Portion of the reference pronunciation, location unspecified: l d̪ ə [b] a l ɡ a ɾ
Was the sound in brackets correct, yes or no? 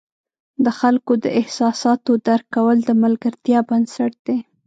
no